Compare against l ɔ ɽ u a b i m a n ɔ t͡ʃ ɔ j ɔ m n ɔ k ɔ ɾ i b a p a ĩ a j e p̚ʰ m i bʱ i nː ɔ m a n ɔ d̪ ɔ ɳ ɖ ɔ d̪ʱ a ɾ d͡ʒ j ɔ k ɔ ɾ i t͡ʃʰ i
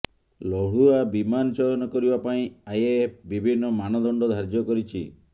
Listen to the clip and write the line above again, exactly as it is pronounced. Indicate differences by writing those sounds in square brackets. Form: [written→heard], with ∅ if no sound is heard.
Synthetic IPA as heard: l ɔ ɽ u a b i m a n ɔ t͡ʃ ɔ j ɔ [m→∅] n ɔ k ɔ ɾ i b a p a ĩ a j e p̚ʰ [m→b] i bʱ i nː ɔ m a n ɔ d̪ ɔ ɳ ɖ ɔ d̪ʱ a ɾ d͡ʒ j ɔ k ɔ ɾ i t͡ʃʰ i